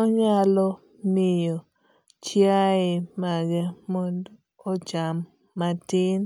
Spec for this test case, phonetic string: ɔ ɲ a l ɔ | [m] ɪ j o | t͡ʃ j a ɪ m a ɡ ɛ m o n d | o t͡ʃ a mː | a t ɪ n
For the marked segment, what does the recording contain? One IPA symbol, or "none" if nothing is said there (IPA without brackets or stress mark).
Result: m